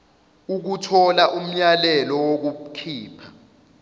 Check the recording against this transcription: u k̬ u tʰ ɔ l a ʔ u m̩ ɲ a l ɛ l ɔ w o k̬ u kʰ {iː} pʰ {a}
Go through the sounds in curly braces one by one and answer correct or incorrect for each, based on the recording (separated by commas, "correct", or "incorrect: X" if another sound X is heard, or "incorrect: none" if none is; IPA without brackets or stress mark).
correct, correct